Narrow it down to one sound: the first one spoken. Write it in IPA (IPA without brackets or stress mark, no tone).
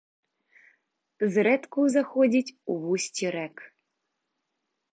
z